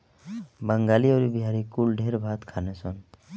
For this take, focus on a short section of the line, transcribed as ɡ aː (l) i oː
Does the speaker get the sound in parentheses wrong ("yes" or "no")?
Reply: no